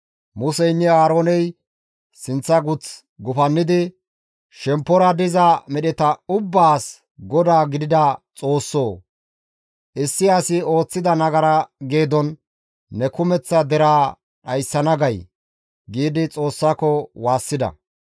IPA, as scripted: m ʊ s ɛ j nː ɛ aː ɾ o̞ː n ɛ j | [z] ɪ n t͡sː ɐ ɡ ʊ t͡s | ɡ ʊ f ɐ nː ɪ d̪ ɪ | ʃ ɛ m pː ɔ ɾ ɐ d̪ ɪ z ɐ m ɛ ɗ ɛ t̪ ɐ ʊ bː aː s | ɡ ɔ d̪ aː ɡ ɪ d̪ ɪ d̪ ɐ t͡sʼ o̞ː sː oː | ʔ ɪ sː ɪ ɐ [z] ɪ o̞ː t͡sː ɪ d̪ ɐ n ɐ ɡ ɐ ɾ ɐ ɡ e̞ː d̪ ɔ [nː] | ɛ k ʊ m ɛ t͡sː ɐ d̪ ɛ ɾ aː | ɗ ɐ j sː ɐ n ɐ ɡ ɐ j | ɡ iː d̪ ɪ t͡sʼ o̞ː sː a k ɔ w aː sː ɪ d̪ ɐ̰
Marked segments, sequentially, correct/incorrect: incorrect: s, incorrect: s, correct

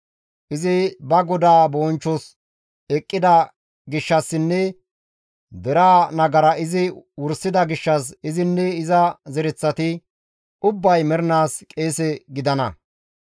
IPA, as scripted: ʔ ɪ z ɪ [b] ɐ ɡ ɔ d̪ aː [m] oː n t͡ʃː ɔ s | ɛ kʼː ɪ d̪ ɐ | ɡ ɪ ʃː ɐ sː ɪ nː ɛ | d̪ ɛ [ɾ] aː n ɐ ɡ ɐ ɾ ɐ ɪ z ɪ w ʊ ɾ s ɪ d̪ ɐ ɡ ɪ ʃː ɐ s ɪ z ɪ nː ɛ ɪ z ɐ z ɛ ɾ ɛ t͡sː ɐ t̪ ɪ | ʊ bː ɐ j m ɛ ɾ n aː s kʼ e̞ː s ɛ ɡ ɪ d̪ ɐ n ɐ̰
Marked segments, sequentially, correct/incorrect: correct, incorrect: b, correct

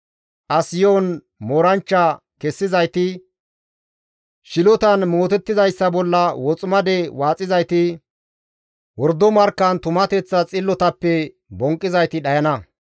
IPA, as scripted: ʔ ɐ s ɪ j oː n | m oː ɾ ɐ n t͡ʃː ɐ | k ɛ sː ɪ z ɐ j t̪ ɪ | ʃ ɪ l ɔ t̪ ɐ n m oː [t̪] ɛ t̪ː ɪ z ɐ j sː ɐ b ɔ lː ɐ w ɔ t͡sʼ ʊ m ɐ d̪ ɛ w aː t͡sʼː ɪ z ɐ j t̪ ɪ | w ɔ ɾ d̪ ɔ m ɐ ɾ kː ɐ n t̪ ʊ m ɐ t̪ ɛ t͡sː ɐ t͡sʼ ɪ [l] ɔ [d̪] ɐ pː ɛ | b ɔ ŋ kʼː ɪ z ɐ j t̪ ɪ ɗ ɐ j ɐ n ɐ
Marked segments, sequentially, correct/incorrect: correct, incorrect: lː, incorrect: t̪

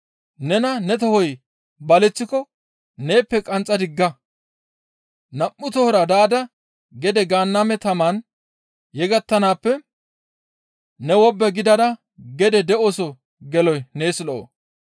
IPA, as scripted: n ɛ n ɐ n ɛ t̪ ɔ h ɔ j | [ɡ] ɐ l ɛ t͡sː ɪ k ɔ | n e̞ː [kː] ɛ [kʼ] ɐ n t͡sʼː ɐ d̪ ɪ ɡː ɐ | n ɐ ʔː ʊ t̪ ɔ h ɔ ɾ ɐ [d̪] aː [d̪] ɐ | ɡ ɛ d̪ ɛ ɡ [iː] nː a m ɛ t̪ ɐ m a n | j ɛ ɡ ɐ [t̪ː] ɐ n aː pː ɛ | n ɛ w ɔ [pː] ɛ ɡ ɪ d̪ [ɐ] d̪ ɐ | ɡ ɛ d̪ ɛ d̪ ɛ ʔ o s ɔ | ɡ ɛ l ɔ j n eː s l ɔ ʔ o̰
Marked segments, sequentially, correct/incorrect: incorrect: b, incorrect: pː, correct, correct, correct, incorrect: aː, correct, incorrect: bː, correct

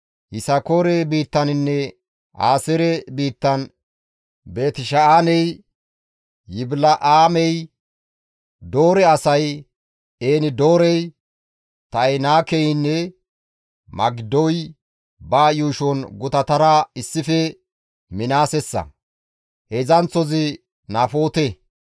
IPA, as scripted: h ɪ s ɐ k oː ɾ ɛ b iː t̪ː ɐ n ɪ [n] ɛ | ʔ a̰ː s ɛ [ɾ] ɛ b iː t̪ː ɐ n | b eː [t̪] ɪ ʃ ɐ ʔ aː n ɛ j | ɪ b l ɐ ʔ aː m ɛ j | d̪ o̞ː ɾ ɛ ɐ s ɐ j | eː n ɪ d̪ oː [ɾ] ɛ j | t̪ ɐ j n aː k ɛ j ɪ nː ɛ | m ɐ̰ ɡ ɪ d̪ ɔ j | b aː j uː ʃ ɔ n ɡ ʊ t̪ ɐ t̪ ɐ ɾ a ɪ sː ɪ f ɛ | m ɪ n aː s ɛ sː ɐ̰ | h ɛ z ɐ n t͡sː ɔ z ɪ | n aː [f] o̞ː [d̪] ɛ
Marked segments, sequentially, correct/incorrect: incorrect: nː, correct, correct, correct, correct, incorrect: t̪

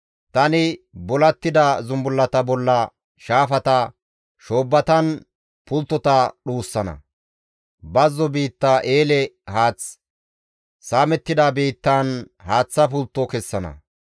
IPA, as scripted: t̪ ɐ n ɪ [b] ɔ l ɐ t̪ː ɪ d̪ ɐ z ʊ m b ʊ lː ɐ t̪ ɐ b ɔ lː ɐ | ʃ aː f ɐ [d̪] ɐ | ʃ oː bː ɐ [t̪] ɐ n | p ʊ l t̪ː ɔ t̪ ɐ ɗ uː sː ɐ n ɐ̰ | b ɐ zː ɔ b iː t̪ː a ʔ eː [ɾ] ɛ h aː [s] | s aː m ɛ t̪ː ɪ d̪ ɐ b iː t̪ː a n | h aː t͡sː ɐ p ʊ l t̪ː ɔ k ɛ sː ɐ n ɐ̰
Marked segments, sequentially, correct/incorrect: correct, incorrect: t̪, correct, incorrect: l, incorrect: t͡s

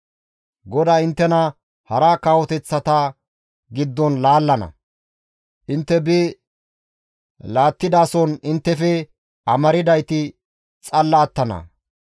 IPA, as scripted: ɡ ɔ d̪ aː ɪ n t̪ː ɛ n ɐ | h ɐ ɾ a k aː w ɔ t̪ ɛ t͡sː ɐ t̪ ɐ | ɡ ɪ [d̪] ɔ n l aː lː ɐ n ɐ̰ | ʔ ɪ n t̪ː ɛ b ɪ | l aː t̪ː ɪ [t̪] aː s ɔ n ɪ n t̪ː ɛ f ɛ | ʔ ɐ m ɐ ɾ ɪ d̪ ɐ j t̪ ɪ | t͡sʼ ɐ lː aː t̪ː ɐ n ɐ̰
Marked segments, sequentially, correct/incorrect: incorrect: d̪ː, incorrect: d̪

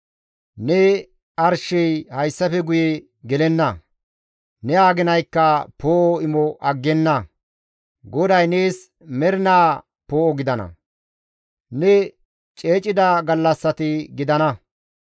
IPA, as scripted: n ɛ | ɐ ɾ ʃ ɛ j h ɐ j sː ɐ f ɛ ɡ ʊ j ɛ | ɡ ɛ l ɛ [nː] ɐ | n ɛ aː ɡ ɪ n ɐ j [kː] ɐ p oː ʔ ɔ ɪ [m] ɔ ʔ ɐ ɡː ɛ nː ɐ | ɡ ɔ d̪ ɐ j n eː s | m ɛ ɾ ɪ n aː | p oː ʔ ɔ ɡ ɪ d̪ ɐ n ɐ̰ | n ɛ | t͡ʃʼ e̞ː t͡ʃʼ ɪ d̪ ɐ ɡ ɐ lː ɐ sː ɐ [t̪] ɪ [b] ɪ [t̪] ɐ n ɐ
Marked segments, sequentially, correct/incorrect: correct, correct, correct, correct, incorrect: ɡ, incorrect: d̪

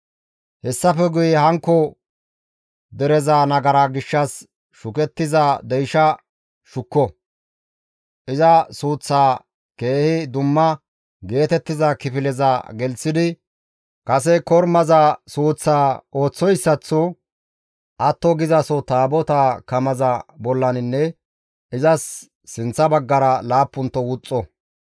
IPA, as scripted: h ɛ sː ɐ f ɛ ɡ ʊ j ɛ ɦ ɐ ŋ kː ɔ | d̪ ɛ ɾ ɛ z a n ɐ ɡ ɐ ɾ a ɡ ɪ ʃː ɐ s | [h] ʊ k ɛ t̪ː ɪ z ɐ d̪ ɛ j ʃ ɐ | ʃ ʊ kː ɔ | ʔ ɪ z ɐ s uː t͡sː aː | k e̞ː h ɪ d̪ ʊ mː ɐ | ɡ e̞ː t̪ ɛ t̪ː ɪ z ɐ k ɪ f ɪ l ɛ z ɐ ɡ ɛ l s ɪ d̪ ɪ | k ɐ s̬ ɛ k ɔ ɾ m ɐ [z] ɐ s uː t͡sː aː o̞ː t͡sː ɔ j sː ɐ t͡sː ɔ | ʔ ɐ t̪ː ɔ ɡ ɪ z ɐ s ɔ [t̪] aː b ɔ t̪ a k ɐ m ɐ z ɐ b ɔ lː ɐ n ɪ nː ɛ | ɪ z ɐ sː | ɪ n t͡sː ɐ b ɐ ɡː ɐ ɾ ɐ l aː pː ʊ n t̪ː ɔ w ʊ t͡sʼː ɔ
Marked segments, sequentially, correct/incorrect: incorrect: ʃ, correct, correct

